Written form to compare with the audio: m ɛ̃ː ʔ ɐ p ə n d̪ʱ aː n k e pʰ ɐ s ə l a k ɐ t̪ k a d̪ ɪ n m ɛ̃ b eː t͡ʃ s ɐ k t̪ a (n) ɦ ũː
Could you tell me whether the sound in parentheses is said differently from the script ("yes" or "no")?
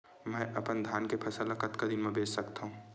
yes